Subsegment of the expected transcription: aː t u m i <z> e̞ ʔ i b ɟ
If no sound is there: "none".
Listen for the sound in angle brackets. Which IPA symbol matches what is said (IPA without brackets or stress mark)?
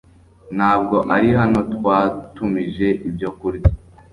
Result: ʒ